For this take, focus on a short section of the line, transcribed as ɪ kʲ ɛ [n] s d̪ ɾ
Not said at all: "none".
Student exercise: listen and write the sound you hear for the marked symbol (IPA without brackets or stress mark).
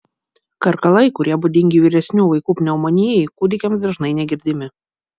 m